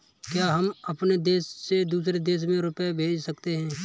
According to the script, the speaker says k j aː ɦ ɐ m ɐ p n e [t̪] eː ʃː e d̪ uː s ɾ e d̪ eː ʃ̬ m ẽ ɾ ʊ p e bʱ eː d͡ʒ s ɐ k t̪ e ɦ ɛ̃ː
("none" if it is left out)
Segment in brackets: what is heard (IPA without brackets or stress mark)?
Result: d̪